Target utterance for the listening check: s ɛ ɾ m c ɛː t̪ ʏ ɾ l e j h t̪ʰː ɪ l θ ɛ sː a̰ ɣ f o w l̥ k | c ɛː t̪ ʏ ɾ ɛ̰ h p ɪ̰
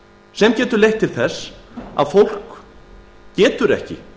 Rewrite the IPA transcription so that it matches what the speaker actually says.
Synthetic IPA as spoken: s ɛ m c ɛː t̪ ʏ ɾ l e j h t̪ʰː ɪ l θ ɛ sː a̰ ð f o w l̥ k | c ɛː t̪ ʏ ɾ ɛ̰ h c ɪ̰

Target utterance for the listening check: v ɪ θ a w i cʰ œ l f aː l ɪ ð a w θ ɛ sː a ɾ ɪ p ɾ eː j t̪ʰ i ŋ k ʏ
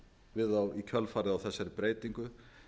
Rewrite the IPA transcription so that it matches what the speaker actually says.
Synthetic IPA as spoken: v ɪ ð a w i cʰ œ l f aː ɾ ɪ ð a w θ ɛ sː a ɾ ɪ p ɾ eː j t̪ i ŋ k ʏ

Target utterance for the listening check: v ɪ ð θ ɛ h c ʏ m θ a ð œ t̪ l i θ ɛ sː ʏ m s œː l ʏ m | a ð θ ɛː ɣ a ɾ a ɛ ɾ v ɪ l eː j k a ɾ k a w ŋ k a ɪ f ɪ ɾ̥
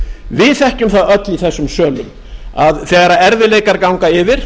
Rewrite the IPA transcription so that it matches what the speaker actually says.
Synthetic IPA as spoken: v ɪ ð θ ɛ h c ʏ m θ a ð œ t̪ l i θ ɛ sː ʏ m s œː l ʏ m | a ð θ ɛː ɣ a ɾ a ɛ ɾ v ɪ l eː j k a ɾ k a w ŋ k a ɪ v ɪ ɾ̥

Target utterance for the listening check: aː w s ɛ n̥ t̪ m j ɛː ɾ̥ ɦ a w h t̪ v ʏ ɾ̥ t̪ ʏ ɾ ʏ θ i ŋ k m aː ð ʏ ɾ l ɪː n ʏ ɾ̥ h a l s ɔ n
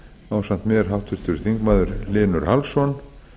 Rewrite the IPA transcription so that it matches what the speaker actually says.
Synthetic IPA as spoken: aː w s a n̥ t̪ m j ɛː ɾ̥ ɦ a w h t̪ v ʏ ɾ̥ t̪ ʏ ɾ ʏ θ i ŋ k m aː ð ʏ ɾ l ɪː n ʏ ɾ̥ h a l s ɔ n

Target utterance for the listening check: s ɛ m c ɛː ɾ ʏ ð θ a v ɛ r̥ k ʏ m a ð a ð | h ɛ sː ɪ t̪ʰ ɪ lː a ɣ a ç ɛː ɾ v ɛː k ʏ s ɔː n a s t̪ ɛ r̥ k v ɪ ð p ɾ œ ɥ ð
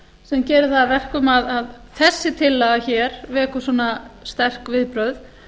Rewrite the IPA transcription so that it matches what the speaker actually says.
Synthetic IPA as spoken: s ɛ m c ɛː ɾ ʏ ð θ a v ɛ r̥ k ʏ m a ð a ð | θ ɛ sː ɪ t̪ʰ ɪ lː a ɣ a ç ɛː ɾ v ɛː k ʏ s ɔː n a s t̪ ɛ r̥ k v ɪ ð p ɾ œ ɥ ð

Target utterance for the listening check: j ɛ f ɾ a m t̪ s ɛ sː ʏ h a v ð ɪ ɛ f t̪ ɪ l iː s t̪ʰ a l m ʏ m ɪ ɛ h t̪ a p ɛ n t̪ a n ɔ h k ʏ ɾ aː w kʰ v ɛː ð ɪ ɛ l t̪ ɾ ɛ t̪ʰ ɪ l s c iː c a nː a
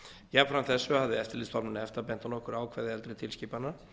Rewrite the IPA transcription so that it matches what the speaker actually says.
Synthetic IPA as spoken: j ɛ f ɾ a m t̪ θ ɛ sː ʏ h a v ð ɪ ɛ f t̪ ɪ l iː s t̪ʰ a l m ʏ n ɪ ɛ f t̪ a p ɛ n t̪ a n ɔ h k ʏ ɾ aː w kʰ v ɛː ð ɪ ɛ l t̪ ɾ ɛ t̪ʰ ɪ l s c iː p a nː a

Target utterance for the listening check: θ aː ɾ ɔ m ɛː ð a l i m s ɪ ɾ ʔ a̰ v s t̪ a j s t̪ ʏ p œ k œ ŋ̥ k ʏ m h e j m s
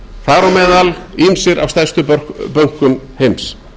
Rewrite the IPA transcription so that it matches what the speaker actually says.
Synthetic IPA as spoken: θ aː ɾ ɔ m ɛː ð a l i m s ɪ ɾ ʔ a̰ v s t̪ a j s t̪ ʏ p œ p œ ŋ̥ k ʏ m h e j m s

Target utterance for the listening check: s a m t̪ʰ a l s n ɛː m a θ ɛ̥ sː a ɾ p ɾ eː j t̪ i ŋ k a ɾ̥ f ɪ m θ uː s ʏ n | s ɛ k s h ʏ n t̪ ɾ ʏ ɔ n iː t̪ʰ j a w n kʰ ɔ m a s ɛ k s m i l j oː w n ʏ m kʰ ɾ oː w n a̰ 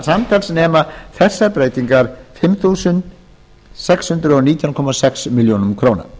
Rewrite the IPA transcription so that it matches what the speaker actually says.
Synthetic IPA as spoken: s a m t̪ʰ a l s n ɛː m a θ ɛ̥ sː a ɾ p ɾ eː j t̪ i ŋ k a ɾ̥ f ɪ m θ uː s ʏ n | s ɛ k s h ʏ n t̪ ɾ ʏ ɔ n iː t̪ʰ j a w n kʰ ɔ m a s ɛ k s m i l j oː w n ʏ m kʰ ɾ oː w n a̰

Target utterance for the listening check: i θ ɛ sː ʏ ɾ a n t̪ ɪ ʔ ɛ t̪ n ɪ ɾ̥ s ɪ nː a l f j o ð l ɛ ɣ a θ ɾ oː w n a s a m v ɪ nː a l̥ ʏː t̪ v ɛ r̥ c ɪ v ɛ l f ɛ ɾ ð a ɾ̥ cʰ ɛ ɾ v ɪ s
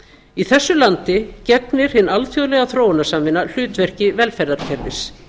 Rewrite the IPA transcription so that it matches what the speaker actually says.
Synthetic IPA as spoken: i θ ɛ sː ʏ l a n t̪ ɪ c ɛ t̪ n ɪ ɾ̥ h ɪ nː a l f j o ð l ɛ ɣ a θ ɾ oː w n a s a m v ɪ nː a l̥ ʏː t̪ v ɛ r̥ c ɪ v ɛ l f ɛ ɾ ð a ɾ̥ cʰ ɛ ɾ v ɪ s

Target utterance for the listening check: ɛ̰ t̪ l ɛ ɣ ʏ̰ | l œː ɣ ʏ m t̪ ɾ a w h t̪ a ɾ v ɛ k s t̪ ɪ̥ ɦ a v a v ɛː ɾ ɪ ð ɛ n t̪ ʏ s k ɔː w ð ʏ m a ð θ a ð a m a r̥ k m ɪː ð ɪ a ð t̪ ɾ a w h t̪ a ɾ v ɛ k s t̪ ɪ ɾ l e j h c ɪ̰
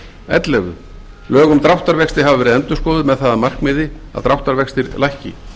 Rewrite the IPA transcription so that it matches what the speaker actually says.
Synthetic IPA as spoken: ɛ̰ t̪ l ɛ ɣ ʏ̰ | l œː ɣ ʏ m t̪ ɾ a w h t̪ a ɾ v ɛ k s t̪ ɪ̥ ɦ a v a v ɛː ɾ ɪ ð ɛ n t̪ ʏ s k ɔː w ð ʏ m ɛ ð θ a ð a m a r̥ k m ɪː ð ɪ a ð t̪ ɾ a w h t̪ a ɾ v ɛ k s t̪ ɪ ɾ l a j h c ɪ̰

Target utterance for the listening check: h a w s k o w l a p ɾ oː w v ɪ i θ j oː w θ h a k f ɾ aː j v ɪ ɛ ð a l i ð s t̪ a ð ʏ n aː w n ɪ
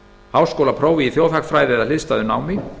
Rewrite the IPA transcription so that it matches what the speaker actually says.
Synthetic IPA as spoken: h a w s k o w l a pʰ ɾ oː w v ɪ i θ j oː w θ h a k f ɾ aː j ð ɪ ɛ ð a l ɪ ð s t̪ a ð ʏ n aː w m ɪ

